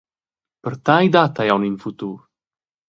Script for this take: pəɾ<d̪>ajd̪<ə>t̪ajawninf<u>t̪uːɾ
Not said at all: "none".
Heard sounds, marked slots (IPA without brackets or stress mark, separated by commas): t̪, a, u